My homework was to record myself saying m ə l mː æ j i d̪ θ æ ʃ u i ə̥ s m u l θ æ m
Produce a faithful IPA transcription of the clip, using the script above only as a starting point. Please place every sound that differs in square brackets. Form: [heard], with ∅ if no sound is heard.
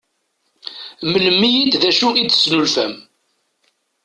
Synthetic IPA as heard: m ə l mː [i] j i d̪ [ð] æ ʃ u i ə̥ s [n] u l [f] æ m

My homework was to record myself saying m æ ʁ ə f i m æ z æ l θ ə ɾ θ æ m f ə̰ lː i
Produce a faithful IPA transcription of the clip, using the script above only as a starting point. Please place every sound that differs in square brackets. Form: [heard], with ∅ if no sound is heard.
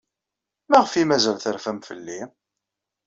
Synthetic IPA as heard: m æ ʁ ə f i m æ z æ l θ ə ɾ [f] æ m f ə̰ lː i

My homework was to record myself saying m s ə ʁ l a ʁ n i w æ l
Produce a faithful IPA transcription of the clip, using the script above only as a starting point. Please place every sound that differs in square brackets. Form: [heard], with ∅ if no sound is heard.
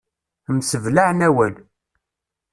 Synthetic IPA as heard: m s ə [v] l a [ʕ] n [æ] w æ l

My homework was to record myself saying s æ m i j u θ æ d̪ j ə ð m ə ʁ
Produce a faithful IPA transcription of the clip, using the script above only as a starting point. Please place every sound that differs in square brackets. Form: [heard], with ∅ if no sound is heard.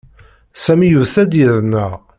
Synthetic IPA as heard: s æ m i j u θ æ d̪ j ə ð [n] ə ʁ

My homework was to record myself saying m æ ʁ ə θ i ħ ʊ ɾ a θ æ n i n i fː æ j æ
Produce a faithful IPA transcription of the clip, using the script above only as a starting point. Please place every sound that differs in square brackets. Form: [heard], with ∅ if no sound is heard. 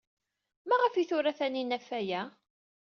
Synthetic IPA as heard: m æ ʁ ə [f] i [θ] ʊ ɾ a θ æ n i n [æ] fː æ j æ

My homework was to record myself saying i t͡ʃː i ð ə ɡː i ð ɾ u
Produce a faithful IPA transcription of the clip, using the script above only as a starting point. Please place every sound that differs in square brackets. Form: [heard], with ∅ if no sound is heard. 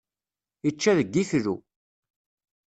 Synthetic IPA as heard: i t͡ʃː [æ] ð ə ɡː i [θ] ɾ u

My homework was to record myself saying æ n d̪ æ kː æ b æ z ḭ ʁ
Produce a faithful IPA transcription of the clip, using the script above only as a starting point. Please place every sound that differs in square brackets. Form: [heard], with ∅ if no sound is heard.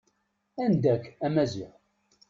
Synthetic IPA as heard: æ n d̪ æ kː æ [m] æ z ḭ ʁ

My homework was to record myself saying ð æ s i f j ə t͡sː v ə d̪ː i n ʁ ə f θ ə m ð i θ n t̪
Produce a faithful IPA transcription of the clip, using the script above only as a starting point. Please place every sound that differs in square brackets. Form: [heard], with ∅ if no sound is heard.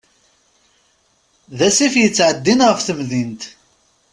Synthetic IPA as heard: ð æ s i f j ə t͡sː [ʕ] ə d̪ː i n ʁ ə f θ ə m ð i [∅] n t̪

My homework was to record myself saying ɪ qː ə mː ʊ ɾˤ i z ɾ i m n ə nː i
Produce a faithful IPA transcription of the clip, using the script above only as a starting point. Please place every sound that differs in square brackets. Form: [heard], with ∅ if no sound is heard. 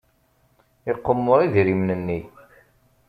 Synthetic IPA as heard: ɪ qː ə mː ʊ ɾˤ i [ð] ɾ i m n ə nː i

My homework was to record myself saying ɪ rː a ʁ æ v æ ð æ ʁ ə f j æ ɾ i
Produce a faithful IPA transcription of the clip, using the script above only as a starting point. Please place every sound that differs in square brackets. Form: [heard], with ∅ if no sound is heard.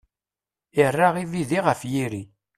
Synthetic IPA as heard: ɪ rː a ʁ [i] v [i] ð [i] ʁ ə f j [i] ɾ i

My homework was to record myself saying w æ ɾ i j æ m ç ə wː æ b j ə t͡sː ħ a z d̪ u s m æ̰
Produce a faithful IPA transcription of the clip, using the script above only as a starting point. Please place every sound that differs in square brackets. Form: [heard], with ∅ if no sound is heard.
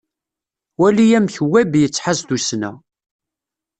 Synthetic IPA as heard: w æ [l] i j æ m ç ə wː æ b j ə t͡sː ħ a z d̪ u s [n] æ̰

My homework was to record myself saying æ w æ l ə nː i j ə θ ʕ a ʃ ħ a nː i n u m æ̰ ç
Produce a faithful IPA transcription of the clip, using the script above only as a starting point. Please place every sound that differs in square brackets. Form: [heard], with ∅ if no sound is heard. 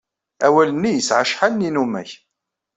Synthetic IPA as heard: æ w æ l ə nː i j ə [s] ʕ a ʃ ħ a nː i n u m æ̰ ç

